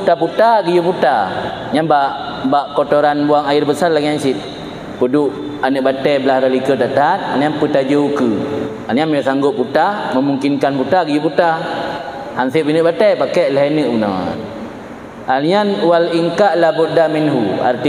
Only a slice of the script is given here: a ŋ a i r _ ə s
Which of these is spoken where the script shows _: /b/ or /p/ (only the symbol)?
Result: b